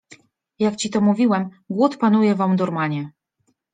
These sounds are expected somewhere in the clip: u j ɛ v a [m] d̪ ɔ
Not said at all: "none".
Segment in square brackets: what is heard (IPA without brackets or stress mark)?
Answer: m